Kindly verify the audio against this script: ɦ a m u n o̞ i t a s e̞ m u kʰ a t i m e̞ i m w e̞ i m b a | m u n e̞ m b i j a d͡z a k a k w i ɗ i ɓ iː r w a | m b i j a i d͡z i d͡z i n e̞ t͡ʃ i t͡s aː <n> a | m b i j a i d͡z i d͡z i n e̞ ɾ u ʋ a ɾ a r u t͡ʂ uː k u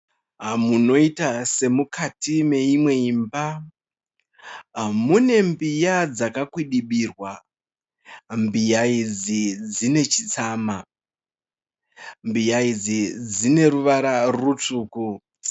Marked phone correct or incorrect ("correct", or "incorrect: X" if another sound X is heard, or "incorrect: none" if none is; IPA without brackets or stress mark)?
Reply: incorrect: m